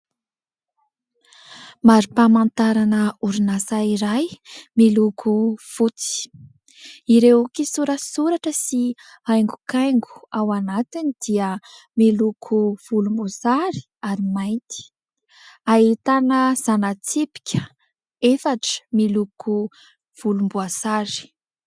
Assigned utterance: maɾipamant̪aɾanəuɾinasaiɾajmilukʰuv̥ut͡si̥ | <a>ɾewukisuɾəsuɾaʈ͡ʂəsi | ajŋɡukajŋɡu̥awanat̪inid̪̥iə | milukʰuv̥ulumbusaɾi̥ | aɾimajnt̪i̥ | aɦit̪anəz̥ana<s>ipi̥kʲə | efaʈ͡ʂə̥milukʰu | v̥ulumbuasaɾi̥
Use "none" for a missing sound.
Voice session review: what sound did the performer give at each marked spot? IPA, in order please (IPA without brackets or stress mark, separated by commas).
i, t͡s